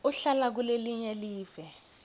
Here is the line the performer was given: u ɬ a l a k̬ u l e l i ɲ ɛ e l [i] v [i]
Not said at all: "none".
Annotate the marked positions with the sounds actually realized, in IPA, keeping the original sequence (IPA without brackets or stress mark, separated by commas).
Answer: iː, ɛ